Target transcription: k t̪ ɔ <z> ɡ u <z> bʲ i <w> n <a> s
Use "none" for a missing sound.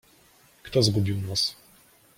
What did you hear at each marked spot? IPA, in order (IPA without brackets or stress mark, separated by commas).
z, none, w, a